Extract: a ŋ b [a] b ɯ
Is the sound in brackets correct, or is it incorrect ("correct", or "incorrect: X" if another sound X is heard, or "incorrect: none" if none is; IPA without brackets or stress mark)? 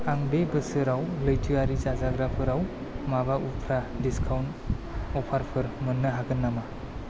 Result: incorrect: e